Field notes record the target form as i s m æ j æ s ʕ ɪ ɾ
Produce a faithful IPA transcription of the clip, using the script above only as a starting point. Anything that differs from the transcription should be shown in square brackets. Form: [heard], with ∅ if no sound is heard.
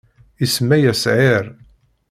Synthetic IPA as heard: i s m æ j æ s ʕ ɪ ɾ